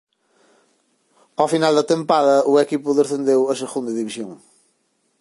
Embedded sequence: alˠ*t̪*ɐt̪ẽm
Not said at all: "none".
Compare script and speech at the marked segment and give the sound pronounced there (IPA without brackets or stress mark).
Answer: d̪